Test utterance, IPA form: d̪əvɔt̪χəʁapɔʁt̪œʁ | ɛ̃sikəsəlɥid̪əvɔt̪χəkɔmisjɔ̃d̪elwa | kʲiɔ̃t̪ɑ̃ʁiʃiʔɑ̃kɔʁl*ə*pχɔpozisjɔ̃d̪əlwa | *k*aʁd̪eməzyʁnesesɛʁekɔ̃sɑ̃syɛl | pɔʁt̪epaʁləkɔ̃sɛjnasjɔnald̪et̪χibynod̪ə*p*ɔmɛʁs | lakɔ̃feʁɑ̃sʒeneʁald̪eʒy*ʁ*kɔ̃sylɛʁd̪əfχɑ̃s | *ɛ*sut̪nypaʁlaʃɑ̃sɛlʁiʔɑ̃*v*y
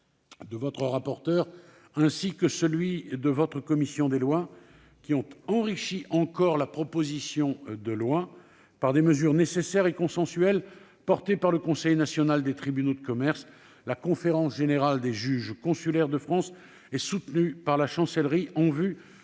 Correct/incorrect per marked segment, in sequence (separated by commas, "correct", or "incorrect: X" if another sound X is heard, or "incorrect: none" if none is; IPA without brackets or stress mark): incorrect: a, incorrect: p, incorrect: k, incorrect: ʒ, correct, correct